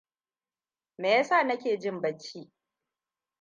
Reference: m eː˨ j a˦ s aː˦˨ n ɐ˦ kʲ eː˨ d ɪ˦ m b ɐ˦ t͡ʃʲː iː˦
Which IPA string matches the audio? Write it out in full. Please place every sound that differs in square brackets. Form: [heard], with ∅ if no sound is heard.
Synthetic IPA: m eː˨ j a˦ s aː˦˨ n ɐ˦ kʲ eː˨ [d͡ʒ] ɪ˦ m b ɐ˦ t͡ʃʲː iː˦